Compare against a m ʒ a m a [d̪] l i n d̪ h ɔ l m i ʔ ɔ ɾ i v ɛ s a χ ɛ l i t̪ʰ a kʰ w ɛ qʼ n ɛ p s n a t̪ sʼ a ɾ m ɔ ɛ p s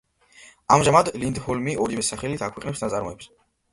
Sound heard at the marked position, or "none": d̪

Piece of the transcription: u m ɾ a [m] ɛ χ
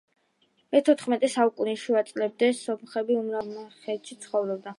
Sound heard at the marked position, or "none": m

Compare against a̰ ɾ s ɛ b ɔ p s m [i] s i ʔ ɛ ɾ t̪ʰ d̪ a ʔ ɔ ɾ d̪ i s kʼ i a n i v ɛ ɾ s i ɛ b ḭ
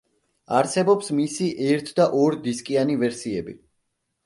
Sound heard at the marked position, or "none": i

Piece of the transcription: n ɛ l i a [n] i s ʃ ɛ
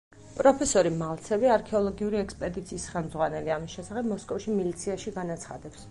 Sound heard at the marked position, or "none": m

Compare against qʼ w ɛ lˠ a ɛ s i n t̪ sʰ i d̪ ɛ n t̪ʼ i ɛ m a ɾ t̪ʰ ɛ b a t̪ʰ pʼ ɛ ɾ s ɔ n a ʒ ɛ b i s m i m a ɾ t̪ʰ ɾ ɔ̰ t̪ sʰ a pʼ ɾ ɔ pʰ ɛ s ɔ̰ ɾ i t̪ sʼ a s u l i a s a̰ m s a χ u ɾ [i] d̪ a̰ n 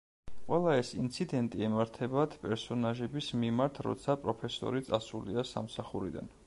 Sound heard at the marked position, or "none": i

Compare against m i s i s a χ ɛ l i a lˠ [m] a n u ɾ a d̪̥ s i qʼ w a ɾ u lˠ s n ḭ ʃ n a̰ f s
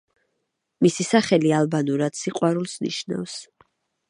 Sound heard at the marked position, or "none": b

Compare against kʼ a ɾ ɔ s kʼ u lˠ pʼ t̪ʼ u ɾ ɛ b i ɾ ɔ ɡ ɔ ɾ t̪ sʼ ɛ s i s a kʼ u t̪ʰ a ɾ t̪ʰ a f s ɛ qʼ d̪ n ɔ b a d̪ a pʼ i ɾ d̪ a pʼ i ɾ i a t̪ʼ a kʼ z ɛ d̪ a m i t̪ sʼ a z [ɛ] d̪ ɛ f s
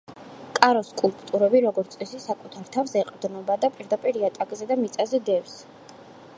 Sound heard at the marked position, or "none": ɛ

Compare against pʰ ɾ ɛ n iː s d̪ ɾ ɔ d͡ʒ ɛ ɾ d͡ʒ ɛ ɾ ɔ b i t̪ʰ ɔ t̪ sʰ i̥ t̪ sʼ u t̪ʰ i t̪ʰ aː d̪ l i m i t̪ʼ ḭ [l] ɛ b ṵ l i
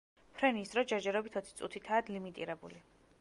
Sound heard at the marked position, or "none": ɾ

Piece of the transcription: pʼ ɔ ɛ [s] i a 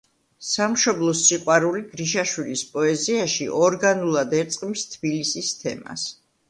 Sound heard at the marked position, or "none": z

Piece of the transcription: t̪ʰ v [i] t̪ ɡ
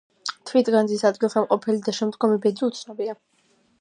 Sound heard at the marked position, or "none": i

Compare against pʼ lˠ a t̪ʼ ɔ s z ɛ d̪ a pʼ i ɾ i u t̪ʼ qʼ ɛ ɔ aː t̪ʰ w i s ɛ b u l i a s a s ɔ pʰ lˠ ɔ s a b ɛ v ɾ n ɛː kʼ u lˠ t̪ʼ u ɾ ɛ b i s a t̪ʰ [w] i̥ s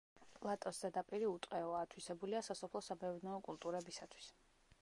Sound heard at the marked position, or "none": w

